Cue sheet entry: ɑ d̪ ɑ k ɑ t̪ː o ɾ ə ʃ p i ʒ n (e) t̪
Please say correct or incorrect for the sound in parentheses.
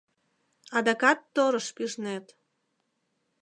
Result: correct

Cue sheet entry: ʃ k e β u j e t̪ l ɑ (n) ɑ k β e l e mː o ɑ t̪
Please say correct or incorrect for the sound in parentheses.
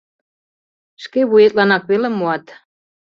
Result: correct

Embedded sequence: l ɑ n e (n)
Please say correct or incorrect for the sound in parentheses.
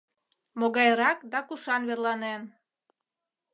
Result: correct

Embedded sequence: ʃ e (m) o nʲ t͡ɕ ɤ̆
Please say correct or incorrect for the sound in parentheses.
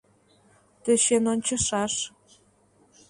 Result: incorrect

